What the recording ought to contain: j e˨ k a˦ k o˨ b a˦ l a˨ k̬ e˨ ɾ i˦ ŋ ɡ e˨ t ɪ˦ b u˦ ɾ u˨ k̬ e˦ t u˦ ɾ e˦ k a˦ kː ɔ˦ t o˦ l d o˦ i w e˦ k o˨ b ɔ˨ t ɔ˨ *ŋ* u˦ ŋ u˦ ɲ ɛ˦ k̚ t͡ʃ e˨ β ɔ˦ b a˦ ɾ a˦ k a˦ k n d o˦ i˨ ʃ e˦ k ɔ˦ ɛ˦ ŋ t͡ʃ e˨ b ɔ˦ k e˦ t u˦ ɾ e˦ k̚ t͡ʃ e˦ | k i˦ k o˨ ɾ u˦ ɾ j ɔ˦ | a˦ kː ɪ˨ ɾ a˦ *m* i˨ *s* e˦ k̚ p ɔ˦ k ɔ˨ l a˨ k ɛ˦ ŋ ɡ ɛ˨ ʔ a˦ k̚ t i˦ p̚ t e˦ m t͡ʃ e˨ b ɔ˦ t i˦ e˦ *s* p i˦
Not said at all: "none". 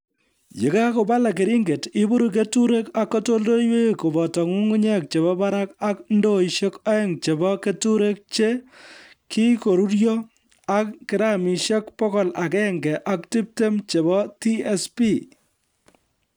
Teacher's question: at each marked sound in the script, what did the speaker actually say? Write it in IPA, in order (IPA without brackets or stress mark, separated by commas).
ŋ, m, ʃ, s